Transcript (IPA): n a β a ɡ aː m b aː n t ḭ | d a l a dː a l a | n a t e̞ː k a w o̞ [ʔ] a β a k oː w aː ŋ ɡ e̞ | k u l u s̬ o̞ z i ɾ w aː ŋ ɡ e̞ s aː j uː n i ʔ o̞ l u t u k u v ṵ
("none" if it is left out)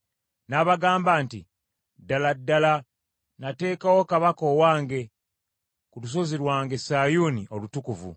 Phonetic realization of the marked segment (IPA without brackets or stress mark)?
k